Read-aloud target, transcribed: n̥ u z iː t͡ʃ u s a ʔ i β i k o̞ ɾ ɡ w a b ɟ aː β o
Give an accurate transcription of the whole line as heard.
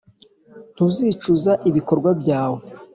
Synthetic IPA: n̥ u z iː t͡ʃ u z a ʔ i β i k o̞ ɾ ɡ w a b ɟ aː w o

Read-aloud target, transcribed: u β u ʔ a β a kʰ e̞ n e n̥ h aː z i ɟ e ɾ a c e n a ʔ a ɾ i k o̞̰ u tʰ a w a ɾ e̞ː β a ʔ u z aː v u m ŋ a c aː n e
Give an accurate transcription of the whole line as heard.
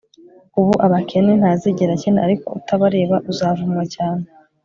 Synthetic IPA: u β u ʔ a β a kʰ e̞ n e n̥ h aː z i ɟ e ɾ a c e n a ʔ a ɾ i k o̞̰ u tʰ a β a ɾ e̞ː β a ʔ u z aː v u m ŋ a c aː n e

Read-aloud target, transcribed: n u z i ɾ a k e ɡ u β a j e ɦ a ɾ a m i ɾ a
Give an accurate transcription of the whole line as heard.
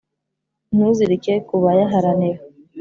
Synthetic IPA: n u z i ɾ i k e k u β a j a ɦ a ɾ a n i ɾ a

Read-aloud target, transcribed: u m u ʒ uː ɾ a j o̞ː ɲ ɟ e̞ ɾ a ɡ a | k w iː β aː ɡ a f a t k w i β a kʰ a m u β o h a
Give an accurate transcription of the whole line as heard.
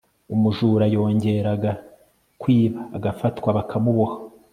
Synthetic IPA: u m u ʒ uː ɾ a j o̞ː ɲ ɟ e̞ ɾ a ɡ a | k w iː β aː ɡ a f a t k w a β a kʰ a m u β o h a

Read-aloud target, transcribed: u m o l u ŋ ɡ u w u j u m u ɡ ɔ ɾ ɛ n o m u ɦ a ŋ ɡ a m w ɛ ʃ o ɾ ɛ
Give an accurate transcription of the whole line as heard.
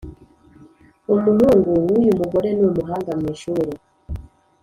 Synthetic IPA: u m u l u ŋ ɡ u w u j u m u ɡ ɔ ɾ ɛ n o m u ɦ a ŋ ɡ a m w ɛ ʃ u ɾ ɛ

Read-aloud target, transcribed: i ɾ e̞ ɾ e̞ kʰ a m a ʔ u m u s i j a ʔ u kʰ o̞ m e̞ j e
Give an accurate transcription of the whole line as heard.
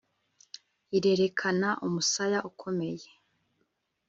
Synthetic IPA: i ɾ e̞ ɾ e̞ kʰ a n a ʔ u m u s a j a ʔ u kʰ o̞ m e̞ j e

